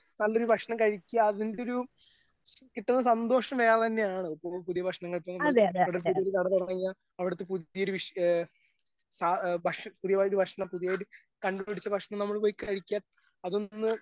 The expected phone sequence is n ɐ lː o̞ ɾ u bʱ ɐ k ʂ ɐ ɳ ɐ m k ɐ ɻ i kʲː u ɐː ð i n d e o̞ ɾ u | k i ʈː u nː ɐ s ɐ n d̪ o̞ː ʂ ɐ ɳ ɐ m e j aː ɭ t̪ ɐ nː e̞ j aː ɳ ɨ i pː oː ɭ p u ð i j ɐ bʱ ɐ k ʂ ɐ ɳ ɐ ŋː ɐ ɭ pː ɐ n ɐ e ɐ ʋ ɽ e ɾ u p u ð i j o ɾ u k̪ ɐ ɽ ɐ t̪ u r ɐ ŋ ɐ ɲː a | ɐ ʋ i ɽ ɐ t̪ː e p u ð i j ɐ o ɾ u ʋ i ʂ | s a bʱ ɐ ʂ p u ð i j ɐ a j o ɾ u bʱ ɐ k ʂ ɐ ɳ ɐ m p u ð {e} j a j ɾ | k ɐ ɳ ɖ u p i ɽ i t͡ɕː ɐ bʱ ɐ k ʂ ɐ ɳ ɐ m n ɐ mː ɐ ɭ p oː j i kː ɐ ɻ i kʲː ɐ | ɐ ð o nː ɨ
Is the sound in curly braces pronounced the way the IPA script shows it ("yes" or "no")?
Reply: no